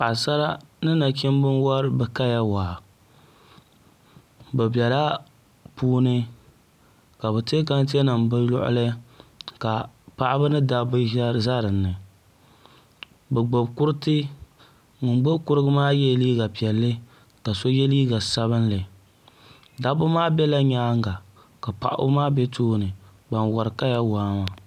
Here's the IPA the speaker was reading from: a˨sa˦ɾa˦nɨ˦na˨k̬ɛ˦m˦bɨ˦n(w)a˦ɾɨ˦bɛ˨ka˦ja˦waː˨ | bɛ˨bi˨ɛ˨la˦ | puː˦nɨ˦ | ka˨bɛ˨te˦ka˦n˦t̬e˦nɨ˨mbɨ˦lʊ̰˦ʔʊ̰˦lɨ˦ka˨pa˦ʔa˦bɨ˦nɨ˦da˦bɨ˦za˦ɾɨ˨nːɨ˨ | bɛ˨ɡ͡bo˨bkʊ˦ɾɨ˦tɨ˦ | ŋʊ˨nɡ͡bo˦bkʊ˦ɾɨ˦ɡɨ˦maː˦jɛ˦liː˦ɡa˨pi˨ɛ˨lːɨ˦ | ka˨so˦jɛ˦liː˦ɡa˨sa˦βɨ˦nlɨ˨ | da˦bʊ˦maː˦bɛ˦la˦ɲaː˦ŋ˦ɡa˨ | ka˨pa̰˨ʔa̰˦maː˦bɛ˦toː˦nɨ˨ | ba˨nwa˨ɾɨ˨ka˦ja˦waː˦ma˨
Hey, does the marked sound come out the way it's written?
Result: yes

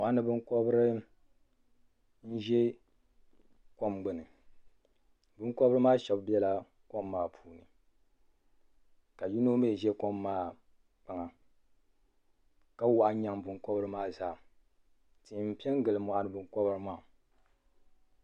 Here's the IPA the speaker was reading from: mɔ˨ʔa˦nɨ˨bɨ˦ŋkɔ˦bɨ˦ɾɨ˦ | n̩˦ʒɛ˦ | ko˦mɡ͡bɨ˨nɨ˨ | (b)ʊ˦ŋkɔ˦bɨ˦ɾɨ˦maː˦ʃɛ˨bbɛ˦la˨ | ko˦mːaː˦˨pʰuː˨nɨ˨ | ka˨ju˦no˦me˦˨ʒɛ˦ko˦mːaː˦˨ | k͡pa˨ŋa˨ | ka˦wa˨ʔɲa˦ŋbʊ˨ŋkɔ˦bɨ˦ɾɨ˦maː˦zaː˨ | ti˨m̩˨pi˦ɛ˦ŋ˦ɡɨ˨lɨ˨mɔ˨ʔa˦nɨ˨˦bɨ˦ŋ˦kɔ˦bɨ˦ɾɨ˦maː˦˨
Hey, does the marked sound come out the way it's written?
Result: yes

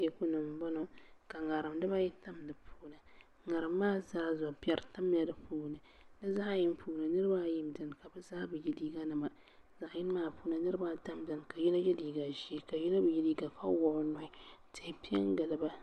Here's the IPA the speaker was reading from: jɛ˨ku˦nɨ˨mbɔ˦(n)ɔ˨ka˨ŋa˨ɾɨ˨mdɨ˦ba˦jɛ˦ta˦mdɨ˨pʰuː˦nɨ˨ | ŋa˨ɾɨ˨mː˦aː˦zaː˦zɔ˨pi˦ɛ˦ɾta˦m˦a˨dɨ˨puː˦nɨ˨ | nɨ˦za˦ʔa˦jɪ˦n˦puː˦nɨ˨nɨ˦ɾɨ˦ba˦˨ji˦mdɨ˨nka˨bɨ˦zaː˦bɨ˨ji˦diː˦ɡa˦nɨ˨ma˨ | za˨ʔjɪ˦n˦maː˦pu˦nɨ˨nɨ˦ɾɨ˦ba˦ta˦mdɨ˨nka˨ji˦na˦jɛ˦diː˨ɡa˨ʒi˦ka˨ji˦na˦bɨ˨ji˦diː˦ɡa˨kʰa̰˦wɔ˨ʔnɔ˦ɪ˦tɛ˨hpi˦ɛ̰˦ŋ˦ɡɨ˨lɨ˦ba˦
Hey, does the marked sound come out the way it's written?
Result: yes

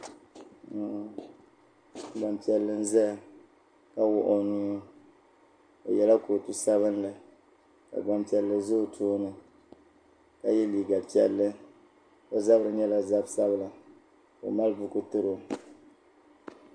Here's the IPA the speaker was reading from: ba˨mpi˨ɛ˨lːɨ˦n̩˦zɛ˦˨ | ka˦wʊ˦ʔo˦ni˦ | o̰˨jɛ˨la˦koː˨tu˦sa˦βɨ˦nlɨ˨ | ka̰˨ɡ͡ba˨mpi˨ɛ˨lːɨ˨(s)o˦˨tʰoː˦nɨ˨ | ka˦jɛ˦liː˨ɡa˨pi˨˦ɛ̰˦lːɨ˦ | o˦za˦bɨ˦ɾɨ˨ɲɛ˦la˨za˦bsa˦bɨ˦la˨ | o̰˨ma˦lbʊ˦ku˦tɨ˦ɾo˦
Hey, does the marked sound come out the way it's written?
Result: no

